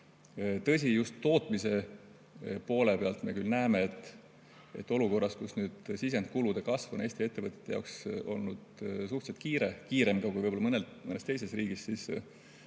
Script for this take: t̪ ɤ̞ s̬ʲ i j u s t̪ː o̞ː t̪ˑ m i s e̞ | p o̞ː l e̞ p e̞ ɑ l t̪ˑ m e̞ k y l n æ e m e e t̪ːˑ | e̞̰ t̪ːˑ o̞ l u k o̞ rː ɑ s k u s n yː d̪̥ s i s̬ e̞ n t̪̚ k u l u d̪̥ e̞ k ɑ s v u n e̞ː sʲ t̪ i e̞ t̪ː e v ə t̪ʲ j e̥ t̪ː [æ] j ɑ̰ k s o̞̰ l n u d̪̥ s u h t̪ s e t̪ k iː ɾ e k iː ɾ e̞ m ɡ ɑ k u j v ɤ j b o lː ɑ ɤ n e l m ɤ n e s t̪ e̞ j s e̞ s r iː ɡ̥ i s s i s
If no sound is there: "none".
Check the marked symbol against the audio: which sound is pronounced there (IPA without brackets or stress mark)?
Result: e